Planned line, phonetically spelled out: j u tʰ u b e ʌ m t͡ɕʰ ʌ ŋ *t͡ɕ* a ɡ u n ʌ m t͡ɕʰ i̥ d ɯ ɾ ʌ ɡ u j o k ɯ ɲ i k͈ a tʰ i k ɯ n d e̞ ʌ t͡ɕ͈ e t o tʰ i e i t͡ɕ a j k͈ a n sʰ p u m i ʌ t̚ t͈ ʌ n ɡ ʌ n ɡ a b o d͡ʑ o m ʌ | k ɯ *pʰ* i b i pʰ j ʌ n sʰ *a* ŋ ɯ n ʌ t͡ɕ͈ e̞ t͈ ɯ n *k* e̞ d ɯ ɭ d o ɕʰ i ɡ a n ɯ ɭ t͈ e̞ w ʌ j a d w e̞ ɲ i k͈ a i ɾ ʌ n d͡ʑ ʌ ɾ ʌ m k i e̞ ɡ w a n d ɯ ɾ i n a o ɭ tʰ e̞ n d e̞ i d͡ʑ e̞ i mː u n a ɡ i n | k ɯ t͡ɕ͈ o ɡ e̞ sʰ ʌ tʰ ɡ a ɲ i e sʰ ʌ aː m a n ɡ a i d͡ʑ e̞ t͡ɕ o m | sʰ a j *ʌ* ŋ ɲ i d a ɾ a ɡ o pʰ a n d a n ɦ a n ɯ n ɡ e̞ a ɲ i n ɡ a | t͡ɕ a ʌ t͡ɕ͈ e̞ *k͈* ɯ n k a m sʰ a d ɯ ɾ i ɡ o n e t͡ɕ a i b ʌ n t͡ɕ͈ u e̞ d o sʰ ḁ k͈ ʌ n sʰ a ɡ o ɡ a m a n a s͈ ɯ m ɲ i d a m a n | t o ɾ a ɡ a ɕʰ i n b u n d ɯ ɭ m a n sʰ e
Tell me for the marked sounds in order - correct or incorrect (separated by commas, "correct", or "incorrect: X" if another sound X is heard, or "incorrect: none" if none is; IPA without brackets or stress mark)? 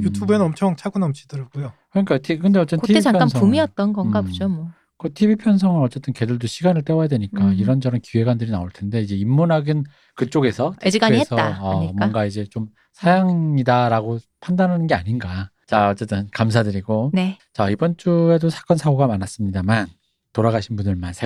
incorrect: t͡ɕʰ, incorrect: tʰ, incorrect: ʌ, correct, incorrect: a, incorrect: t͈